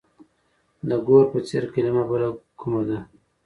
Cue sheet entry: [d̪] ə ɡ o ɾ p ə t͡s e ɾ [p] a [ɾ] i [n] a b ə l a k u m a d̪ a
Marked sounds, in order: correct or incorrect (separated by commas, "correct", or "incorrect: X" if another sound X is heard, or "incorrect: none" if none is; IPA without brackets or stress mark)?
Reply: correct, incorrect: k, incorrect: l, incorrect: m